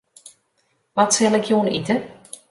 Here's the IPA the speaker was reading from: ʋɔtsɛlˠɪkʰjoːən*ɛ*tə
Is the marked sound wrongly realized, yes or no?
yes